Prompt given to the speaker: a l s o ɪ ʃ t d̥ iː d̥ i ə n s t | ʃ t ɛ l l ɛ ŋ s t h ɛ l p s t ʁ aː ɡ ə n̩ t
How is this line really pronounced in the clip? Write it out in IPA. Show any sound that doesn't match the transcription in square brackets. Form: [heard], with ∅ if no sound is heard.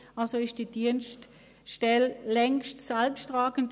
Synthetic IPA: a l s o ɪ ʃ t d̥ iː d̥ i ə n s t | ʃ t ɛ l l ɛ ŋ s t [s] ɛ l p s t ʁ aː ɡ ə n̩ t